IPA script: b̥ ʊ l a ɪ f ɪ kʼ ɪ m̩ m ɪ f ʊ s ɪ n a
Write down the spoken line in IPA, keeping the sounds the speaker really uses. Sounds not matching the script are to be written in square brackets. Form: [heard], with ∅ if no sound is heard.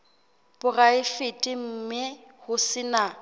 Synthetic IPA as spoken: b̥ ʊ [r] a ɪ f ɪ [tʼ] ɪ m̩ m ɪ [h] ʊ s ɪ n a